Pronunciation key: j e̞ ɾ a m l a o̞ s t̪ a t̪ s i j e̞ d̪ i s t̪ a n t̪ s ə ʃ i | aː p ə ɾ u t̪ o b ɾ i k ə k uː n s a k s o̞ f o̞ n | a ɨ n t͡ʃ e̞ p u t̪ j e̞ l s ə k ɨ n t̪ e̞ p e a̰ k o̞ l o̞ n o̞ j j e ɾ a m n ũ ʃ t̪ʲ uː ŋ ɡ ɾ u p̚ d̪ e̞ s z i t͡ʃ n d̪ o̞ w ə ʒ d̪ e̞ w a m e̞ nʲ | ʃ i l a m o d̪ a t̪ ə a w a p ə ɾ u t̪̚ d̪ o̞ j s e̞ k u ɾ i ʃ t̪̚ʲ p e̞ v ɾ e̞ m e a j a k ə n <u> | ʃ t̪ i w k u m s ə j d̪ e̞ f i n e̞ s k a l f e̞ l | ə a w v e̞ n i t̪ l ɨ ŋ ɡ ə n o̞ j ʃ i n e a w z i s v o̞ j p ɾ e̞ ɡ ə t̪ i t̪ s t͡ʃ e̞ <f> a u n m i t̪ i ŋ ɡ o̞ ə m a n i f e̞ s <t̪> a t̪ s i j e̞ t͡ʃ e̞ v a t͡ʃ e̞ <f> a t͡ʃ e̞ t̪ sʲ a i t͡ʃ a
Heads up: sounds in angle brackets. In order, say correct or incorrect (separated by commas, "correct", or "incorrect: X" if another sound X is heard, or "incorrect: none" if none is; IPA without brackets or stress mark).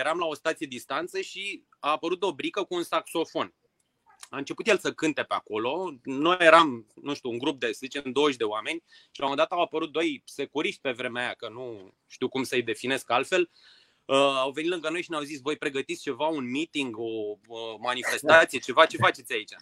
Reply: correct, incorrect: v, correct, correct